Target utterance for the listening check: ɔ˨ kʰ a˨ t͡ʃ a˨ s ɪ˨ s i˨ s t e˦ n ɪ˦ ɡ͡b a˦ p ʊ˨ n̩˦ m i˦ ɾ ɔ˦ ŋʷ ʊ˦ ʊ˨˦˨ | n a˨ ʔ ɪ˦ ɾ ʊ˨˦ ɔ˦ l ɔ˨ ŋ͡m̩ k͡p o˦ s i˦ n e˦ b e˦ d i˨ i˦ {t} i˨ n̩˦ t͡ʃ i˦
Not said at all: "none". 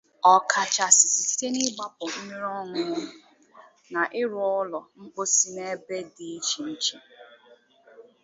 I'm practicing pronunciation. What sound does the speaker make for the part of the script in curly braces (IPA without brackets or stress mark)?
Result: t͡ʃ